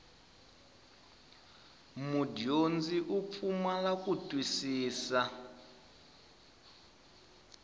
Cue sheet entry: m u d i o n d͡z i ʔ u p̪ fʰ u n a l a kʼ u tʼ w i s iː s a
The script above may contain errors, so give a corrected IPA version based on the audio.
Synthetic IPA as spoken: m u d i o n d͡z i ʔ u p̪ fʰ u m a l a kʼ u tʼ w i s iː s a

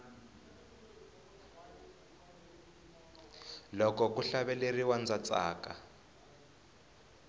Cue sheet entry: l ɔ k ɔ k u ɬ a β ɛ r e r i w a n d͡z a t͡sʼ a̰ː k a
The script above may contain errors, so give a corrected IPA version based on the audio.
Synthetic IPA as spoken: l ɔ k ɔ k u ɬ a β ɛ l e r i w a n d͡z a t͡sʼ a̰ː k a

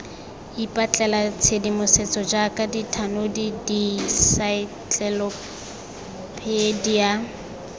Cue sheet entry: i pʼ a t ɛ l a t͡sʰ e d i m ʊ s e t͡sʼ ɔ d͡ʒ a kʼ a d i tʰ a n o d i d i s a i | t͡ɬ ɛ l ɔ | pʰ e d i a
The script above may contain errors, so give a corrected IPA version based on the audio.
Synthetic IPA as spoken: i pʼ a t͡ɬʼ ɛ l a t͡sʰ e d i m ʊ s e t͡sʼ ɔ d͡ʒ a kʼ a d i tʰ a n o d i d i s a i | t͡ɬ ɛ l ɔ | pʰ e d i a

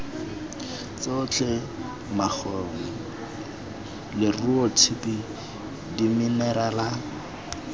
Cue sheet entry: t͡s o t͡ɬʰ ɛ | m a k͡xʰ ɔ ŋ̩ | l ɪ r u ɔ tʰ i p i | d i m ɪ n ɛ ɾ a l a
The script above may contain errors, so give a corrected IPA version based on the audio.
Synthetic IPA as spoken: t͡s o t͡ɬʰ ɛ | m a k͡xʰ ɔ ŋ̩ | l ɪ r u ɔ tʰ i p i | d i m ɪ n ɛ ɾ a l a

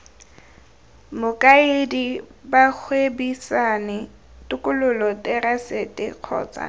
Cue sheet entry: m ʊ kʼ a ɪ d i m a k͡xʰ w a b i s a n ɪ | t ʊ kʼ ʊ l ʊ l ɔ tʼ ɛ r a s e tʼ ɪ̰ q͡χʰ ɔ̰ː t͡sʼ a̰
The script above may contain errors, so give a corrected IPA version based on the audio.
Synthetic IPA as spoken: m ʊ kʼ a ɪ d i b a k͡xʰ w e b i s a n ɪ | t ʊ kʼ ʊ l ʊ l ɔ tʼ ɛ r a s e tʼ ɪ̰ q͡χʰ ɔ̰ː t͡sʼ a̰

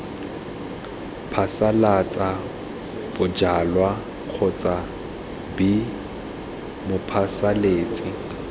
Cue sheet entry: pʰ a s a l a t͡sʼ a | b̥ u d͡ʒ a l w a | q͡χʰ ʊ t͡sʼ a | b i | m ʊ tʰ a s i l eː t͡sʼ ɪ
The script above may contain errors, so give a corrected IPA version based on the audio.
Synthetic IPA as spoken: pʰ a s a l a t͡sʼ a | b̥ ʊ d͡ʒ a l w a | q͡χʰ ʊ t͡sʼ a | b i | m ʊ pʰ a s a l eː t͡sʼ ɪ

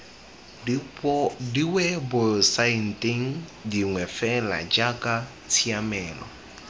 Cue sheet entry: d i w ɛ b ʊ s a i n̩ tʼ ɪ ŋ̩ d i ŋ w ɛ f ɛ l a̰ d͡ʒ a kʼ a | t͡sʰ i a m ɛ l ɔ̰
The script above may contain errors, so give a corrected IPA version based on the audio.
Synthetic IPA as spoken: d i w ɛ b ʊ s a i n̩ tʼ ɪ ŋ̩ d i ŋ w ɛ f ɛ l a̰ d͡ʒ a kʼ a | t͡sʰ i a m ɛː l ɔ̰

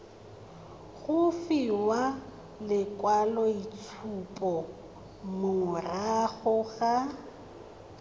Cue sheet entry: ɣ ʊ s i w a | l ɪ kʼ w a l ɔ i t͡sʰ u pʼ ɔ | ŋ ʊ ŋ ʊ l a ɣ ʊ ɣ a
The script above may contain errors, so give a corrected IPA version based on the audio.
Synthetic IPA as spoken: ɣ ʊ f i w a | l ɪ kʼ w a l ɔ i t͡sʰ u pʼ ɔ | m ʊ ŋ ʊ r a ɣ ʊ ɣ a

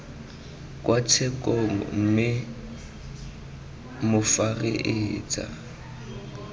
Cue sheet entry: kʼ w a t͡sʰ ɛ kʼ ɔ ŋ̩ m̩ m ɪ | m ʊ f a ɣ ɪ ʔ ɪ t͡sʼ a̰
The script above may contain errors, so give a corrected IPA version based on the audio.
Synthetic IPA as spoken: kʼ w a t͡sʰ ɛ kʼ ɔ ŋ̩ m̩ m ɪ | m ʊ f a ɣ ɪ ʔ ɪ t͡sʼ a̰

